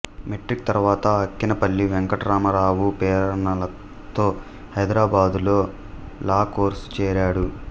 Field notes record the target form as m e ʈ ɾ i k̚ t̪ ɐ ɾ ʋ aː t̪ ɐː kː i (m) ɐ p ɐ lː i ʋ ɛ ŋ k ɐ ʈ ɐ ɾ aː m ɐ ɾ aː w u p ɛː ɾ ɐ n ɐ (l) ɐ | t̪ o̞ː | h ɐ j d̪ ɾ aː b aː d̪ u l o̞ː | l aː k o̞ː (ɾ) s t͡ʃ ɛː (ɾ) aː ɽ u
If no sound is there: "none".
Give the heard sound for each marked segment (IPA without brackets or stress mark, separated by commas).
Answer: n, l, ɾ, ɾ